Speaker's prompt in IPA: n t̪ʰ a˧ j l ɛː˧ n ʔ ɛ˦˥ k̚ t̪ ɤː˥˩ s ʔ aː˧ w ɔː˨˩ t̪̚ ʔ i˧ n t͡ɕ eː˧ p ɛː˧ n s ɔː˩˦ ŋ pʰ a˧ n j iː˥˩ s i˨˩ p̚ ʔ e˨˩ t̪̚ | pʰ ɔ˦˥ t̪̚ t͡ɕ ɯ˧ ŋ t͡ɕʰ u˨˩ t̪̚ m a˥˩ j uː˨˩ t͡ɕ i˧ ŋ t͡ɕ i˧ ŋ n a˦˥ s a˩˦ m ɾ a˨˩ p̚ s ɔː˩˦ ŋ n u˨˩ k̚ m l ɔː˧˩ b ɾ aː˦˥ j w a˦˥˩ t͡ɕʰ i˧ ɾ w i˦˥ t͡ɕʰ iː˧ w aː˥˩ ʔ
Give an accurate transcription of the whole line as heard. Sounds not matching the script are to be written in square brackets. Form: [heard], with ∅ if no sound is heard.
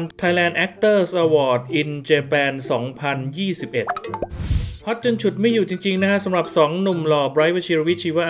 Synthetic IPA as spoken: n t̪ʰ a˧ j l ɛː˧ n ʔ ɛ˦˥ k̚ t̪ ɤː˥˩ s ʔ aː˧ w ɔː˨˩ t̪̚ ʔ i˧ n t͡ɕ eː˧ p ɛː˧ n s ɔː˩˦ ŋ pʰ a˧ n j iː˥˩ s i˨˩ p̚ ʔ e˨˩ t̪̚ | pʰ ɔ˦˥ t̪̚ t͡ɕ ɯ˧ ŋ t͡ɕʰ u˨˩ t̪̚ m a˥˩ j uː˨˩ t͡ɕ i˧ ŋ t͡ɕ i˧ ŋ n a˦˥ s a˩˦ m ɾ a˨˩ p̚ s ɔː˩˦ ŋ n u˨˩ [∅] m l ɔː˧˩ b ɾ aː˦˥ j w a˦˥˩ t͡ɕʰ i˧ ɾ w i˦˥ t͡ɕʰ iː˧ w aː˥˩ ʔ